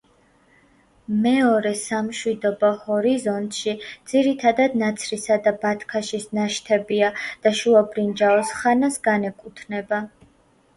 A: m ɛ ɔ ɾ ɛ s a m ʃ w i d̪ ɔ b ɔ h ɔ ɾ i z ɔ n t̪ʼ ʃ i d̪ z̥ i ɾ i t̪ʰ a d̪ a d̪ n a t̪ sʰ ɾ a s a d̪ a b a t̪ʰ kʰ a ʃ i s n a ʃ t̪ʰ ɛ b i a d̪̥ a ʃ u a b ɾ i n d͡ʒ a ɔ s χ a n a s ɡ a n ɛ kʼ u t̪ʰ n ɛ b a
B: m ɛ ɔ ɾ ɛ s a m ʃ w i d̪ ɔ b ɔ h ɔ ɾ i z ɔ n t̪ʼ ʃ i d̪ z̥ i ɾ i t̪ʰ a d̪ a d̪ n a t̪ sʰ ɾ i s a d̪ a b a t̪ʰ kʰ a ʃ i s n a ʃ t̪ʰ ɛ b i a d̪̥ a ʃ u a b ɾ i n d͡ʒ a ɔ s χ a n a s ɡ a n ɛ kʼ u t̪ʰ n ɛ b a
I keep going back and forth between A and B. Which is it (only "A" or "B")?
B